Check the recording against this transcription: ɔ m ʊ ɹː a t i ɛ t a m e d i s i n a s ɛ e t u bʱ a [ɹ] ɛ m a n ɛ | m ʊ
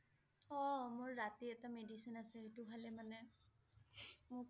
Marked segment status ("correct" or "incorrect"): incorrect